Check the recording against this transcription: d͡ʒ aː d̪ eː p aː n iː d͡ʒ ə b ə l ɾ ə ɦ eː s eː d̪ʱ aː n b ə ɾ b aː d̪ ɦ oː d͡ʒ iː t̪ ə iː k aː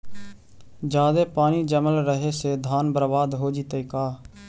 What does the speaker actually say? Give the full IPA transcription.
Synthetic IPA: d͡ʒ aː d̪ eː p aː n iː d͡ʒ ə m ə l ɾ ə ɦ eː s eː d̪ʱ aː n b ə ɾ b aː d̪ ɦ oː d͡ʒ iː t̪ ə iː k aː